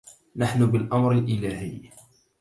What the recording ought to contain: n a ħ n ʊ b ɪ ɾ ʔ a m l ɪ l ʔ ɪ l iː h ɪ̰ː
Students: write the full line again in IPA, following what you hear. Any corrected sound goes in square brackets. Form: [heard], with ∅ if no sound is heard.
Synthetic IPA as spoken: n a ħ n ʊ b ɪ [l] ʔ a m [ɾ] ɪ l ʔ ɪ l [aː] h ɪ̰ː